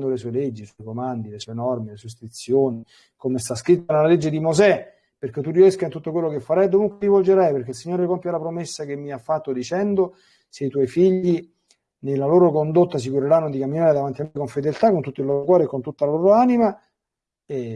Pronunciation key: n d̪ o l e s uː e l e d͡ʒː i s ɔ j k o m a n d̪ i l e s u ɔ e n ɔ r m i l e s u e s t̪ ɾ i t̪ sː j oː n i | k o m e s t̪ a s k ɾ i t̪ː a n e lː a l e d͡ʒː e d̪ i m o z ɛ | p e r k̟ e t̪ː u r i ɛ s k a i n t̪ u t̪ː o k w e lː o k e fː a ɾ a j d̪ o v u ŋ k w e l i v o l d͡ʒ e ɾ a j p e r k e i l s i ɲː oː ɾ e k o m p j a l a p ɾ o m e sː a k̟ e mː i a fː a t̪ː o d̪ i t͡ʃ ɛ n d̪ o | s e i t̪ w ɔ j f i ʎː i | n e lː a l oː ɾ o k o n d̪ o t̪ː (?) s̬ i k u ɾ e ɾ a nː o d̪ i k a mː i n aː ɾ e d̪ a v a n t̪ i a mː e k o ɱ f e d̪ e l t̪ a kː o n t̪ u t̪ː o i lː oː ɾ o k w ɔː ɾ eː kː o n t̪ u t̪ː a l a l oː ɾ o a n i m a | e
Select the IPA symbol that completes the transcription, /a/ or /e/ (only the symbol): a